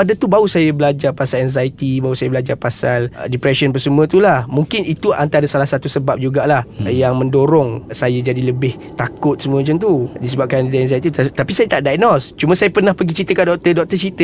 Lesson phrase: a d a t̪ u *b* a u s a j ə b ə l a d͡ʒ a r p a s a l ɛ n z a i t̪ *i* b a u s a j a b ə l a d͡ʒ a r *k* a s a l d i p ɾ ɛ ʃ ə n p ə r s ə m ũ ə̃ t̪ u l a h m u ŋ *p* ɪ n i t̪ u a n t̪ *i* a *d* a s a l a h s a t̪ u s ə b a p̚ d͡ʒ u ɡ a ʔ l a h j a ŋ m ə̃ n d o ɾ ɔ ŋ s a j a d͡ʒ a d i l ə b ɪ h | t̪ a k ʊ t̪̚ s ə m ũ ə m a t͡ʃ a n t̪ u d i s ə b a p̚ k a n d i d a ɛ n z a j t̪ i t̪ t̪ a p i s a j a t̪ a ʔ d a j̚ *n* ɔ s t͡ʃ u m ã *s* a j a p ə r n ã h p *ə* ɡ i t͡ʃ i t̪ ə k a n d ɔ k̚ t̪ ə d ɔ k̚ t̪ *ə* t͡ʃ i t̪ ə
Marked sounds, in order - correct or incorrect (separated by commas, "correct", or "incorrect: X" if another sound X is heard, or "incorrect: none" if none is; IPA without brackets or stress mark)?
correct, correct, incorrect: p, incorrect: k, incorrect: a, correct, correct, correct, correct, correct